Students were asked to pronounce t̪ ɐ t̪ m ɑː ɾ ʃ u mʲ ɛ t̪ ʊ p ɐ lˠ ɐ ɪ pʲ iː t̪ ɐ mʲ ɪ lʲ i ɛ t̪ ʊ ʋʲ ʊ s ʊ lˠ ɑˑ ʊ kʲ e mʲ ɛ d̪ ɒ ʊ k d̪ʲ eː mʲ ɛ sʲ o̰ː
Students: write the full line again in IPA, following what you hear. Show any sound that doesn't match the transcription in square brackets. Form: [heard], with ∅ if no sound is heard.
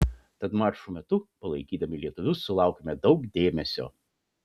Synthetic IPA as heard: t̪ ɐ t̪ m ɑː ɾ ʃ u mʲ ɛ t̪ ʊ p ɐ lˠ ɐ ɪ [kʲ] iː [d̪] ɐ mʲ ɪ lʲ i ɛ t̪ ʊ ʋʲ ʊ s ʊ lˠ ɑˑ ʊ kʲ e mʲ ɛ d̪ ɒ ʊ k d̪ʲ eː mʲ ɛ sʲ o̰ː